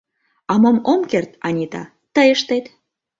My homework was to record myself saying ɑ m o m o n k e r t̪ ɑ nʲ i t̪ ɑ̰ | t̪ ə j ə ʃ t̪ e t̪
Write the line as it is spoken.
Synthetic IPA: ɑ m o m o m k e r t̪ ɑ nʲ i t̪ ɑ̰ | t̪ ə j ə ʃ t̪ e t̪